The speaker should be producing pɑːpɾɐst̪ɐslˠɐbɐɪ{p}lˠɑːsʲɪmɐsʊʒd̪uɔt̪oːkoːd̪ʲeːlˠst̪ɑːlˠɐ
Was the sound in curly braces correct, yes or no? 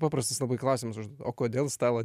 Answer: no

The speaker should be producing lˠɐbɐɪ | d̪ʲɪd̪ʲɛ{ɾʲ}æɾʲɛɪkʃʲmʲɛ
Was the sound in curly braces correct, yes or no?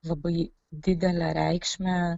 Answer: no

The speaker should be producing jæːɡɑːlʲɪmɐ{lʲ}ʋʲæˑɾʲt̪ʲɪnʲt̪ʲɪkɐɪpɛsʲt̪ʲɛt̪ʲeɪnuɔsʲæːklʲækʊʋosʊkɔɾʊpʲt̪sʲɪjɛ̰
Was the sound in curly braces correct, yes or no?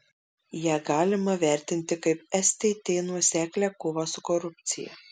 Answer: no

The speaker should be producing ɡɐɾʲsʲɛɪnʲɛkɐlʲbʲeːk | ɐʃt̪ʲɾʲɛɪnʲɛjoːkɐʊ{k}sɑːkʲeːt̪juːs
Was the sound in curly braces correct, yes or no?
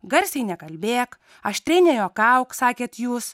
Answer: yes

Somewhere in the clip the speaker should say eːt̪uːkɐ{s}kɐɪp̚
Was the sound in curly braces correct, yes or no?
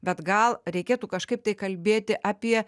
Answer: no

